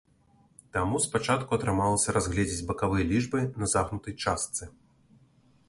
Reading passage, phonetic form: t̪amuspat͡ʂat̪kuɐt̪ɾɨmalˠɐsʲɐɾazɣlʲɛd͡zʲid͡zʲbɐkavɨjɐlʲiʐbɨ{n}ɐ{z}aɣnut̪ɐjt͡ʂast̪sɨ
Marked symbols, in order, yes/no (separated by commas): yes, yes